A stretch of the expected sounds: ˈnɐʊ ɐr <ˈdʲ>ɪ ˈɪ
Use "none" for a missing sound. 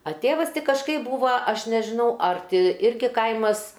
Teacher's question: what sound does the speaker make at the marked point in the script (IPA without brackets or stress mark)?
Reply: tʲ